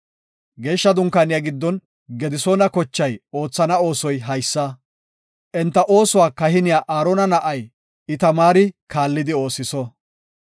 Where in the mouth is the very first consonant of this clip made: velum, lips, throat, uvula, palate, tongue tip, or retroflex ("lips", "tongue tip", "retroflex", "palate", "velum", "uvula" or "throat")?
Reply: velum